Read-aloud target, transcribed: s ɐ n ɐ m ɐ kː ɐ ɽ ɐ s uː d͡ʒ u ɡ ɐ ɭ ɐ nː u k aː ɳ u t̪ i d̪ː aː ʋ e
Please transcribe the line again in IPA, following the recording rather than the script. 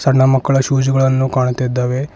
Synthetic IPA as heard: s ɐ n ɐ m ɐ kː ɐ ɭ ɐ ʃ uː d͡ʒ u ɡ ɐ ɭ ɐ nː u k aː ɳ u t̪ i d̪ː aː ʋ e